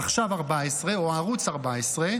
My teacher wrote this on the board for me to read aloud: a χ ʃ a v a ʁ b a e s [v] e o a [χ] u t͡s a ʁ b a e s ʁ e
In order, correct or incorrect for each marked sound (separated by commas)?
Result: incorrect, incorrect